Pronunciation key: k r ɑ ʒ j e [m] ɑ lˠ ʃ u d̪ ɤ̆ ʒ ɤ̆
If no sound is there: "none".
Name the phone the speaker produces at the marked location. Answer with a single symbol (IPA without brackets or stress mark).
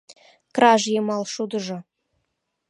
m